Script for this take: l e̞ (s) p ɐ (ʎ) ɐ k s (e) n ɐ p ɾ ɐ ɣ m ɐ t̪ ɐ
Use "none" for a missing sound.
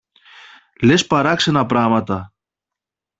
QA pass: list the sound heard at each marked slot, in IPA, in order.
s, ɾ, e

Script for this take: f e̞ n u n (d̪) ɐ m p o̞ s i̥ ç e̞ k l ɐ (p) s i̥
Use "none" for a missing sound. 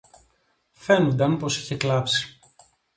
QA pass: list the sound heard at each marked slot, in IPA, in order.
d̪, p

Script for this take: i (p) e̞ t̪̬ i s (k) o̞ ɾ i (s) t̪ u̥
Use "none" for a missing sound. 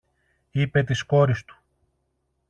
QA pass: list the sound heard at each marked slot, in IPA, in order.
p, k, s

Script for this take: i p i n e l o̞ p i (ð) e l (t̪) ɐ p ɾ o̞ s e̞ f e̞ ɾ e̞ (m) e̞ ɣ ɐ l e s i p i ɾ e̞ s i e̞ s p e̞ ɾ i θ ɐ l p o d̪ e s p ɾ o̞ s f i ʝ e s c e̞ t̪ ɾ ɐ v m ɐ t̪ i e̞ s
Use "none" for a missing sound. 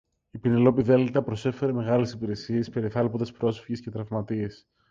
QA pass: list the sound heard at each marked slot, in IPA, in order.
ð, t̪, m

